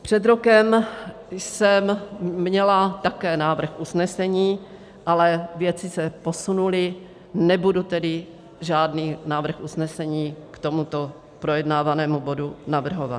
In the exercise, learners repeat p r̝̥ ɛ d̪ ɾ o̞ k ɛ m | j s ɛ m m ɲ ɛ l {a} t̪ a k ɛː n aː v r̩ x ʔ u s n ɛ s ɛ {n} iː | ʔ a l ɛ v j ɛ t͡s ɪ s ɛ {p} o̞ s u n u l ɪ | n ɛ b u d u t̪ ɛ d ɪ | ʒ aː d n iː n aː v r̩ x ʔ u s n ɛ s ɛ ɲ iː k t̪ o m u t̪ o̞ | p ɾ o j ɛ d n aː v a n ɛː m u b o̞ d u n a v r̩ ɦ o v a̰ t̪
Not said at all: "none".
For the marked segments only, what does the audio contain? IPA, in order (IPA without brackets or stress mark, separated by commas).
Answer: a, ɲ, p